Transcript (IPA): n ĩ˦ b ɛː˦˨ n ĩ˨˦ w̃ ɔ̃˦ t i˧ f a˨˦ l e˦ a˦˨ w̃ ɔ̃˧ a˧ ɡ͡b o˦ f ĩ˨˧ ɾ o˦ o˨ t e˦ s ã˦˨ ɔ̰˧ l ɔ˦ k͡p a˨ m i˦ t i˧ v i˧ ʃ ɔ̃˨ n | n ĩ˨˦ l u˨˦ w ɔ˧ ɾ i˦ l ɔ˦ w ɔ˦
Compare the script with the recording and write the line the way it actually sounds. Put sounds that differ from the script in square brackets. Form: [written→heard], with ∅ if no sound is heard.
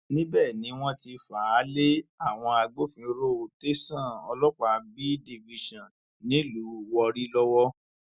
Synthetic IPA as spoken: n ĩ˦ b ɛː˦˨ n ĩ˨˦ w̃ ɔ̃˦ t i˧ f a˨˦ l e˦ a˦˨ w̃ ɔ̃˧ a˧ ɡ͡b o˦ f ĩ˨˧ ɾ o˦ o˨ t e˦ s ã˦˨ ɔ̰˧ l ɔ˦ k͡p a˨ [m→b] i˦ [t→d] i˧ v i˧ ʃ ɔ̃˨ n | n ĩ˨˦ l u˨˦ w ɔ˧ ɾ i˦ l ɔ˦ w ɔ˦